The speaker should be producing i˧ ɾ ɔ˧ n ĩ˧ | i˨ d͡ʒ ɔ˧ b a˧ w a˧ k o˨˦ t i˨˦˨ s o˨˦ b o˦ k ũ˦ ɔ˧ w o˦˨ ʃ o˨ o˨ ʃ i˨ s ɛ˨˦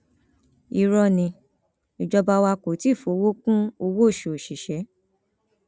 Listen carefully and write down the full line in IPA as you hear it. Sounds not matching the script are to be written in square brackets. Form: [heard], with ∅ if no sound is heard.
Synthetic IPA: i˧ ɾ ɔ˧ n ĩ˧ | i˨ d͡ʒ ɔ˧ b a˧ w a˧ k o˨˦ t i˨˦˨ [f] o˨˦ [w] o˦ k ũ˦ [o˧] w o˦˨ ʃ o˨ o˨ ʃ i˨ [ʃ] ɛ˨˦